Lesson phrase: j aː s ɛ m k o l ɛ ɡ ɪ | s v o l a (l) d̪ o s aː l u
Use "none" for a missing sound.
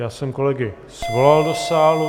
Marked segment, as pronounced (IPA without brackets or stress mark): l